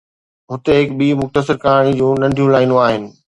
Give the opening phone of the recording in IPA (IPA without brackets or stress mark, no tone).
ɦ